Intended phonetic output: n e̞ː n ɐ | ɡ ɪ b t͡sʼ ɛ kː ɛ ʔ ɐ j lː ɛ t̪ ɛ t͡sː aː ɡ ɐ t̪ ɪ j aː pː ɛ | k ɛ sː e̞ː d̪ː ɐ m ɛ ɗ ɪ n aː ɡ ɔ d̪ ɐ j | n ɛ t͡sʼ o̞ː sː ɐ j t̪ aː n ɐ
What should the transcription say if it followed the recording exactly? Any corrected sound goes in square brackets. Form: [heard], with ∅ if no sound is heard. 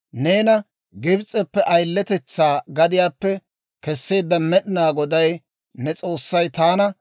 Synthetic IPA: n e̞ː n ɐ | ɡ ɪ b t͡sʼ ɛ [pː] ɛ ʔ ɐ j lː ɛ t̪ ɛ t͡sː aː ɡ ɐ [d̪] ɪ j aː pː ɛ | k ɛ sː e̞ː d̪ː ɐ m ɛ ɗ ɪ n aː ɡ ɔ d̪ ɐ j | n ɛ t͡sʼ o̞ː sː ɐ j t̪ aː n ɐ